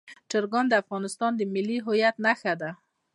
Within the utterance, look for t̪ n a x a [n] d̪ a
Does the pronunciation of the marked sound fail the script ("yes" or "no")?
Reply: yes